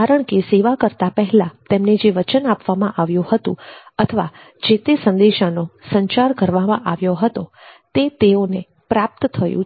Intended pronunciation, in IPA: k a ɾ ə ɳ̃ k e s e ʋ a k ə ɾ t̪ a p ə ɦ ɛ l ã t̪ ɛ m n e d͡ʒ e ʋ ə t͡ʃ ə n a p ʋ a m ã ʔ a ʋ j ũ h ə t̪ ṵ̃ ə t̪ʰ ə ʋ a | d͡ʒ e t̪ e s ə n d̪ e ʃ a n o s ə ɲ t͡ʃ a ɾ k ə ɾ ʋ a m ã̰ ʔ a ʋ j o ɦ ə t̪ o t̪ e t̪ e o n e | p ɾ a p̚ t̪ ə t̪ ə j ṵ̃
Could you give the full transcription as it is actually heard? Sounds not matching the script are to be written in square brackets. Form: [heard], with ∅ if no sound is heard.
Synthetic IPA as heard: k a ɾ ə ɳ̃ k e s e ʋ a k ə ɾ t̪ a p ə ɦ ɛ l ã t̪ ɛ m n e d͡ʒ e ʋ ə t͡ʃ ə n a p ʋ a m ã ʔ a ʋ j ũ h ə t̪ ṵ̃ ə t̪ʰ ə ʋ a | d͡ʒ e t̪ e s ə n d̪ e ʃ a n o s ə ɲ t͡ʃ a ɾ k ə ɾ ʋ a m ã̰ ʔ a ʋ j o ɦ ə t̪ o t̪ e t̪ e o n e | p ɾ a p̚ t̪ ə [t̪ʰ] ə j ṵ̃